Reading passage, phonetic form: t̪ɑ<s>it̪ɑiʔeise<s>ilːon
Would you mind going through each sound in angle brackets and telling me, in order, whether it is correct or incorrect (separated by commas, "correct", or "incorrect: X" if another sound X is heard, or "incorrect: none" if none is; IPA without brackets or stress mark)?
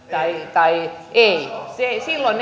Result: incorrect: none, correct